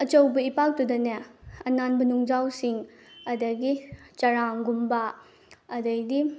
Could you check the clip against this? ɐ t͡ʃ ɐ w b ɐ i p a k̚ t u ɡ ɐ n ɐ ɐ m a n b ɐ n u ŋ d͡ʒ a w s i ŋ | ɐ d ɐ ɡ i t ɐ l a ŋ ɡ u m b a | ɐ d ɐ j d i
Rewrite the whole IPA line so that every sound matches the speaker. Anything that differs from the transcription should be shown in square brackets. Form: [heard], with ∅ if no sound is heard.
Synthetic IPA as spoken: ɐ t͡ʃ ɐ w b ɐ i p a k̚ t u [d] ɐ n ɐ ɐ [n] a n b ɐ n u ŋ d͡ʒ a w s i ŋ | ɐ d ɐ ɡ i [t͡ʃ] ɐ [ɾ] a ŋ ɡ u m b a | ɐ d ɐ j d i